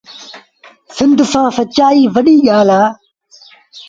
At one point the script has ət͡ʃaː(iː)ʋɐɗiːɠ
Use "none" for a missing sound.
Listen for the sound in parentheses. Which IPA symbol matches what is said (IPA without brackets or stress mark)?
iː